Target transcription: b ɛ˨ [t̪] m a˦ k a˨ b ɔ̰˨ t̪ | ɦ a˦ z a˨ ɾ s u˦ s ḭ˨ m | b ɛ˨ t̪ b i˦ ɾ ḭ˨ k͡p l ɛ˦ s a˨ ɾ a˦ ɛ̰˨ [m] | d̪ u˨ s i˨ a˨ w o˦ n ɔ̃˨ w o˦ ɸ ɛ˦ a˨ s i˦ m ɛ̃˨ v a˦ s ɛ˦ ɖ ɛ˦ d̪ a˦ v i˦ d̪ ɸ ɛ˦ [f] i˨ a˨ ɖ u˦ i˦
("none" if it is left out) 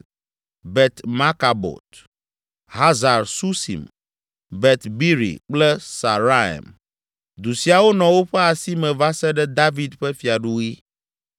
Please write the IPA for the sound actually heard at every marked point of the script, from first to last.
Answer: t̪, m, f

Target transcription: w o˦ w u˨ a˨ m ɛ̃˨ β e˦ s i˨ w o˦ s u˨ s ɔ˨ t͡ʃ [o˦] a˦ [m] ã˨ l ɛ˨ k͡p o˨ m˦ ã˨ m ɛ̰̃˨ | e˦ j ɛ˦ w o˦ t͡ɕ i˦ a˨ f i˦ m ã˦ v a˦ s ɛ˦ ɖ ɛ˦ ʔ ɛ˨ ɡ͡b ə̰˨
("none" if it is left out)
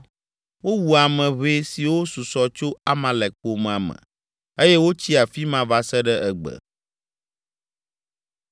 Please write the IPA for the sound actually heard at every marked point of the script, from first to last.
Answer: o˦, m

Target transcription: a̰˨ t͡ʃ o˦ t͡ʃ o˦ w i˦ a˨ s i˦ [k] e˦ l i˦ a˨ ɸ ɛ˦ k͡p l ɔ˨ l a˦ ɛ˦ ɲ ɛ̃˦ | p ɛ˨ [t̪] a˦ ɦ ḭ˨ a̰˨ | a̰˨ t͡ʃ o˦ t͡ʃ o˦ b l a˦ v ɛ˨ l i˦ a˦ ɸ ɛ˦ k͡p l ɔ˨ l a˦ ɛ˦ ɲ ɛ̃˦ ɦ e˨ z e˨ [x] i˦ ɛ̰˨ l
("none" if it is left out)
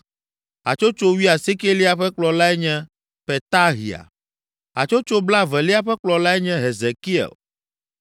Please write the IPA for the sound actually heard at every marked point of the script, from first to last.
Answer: k, t̪, k

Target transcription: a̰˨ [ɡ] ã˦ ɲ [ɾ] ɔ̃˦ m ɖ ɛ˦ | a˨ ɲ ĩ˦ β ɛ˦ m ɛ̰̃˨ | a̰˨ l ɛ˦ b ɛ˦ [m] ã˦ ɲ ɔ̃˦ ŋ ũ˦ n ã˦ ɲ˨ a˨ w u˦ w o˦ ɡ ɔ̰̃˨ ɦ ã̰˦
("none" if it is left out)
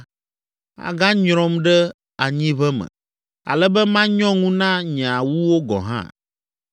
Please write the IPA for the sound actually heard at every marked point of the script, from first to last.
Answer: ɡ, ɾ, m

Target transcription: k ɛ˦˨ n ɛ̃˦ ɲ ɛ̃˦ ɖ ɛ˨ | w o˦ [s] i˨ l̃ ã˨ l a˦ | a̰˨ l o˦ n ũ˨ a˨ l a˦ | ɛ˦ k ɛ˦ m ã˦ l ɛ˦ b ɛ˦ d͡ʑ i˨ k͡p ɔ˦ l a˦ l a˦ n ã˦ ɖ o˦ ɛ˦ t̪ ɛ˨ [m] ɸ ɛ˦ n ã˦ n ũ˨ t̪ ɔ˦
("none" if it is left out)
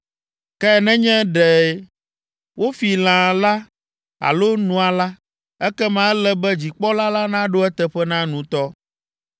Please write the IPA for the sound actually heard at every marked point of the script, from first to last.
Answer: f, none

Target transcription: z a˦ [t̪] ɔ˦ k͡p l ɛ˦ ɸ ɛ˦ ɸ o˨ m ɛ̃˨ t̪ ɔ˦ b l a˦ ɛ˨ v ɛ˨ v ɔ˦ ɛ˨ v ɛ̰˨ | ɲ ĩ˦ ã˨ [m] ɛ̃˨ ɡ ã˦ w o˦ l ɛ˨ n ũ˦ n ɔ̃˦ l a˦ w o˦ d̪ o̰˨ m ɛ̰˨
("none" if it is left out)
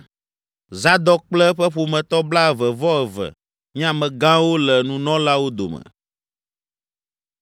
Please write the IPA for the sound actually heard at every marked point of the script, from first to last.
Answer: d̪, m

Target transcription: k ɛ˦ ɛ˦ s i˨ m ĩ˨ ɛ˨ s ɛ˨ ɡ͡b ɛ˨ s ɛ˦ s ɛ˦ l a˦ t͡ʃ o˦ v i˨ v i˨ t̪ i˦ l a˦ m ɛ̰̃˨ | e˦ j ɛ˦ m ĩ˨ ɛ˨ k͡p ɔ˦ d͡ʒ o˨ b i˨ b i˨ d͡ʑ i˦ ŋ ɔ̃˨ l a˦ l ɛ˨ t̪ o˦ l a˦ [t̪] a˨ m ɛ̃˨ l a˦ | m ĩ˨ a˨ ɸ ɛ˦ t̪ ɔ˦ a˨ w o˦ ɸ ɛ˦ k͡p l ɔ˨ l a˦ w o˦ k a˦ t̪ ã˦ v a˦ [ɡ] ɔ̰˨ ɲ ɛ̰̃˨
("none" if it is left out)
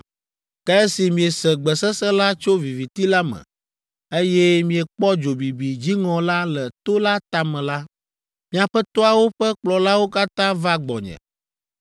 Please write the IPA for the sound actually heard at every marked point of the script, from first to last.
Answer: t̪, ɡ͡b

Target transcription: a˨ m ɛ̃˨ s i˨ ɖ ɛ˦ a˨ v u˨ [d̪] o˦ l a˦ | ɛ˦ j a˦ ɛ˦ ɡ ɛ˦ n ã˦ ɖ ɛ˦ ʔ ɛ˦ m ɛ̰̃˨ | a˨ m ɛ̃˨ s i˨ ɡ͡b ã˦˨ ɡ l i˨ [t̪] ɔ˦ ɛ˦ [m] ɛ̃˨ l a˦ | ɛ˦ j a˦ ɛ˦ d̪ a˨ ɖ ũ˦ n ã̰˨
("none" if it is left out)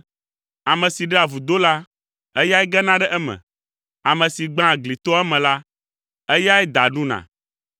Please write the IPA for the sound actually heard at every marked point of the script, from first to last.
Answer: d̪, t̪, m

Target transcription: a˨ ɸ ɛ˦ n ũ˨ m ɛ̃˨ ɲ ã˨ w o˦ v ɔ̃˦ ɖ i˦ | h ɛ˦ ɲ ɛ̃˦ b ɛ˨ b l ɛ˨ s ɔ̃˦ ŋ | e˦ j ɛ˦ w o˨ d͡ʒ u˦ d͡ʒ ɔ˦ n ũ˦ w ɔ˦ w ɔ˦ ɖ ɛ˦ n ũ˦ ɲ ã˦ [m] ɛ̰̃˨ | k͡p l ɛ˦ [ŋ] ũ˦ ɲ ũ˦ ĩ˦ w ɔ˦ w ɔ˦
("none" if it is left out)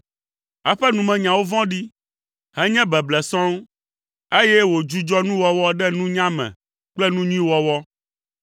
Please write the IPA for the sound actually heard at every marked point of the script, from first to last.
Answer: m, n

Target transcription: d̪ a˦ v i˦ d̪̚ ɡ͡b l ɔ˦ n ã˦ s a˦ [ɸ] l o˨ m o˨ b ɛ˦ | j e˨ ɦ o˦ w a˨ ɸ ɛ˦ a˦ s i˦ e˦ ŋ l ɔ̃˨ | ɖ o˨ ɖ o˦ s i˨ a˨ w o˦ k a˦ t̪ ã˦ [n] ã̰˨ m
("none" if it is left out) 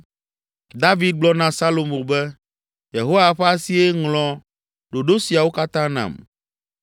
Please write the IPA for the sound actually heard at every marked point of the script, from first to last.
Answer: none, n

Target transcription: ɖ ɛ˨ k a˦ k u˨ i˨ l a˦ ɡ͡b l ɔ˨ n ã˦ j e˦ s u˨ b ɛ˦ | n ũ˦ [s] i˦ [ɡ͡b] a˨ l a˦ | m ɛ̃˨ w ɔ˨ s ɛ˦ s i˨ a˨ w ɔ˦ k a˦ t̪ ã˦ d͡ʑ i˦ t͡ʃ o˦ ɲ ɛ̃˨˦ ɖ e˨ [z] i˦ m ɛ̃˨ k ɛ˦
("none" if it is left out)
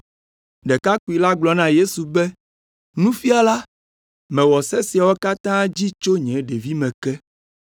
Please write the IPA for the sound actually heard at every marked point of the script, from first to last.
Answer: f, none, v

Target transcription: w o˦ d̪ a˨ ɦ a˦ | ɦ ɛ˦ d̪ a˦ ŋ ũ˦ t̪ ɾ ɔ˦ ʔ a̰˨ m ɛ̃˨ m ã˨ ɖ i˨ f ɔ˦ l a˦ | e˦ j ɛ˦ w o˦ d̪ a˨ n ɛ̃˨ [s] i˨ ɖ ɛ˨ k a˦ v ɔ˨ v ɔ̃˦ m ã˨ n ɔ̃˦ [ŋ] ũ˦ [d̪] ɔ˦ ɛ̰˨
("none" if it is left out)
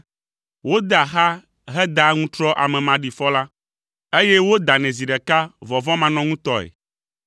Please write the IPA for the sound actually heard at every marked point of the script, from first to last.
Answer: z, ŋ, t̪

